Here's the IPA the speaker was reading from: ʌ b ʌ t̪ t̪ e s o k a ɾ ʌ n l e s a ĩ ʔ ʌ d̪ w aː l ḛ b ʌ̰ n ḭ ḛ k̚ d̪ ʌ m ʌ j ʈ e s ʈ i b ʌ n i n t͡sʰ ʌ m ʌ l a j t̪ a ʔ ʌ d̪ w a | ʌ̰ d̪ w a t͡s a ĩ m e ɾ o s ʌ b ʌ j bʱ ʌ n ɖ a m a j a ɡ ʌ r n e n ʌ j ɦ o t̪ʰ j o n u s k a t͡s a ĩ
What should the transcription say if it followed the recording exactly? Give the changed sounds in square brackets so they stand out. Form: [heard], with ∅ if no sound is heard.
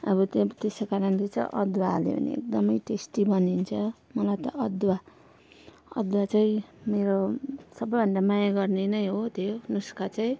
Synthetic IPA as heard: ʌ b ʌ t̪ t̪ e s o k a ɾ ʌ n l e [t͡s] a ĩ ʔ ʌ d̪ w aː l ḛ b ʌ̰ n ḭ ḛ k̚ d̪ ʌ m ʌ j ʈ e s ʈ i b ʌ n i n t͡sʰ ʌ m ʌ l a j t̪ [ʌ] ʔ ʌ d̪ w a | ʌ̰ d̪ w a t͡s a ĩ m e ɾ o s ʌ b ʌ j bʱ ʌ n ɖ a m a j a ɡ ʌ r n e n ʌ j ɦ o t̪ʰ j o n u s k a t͡s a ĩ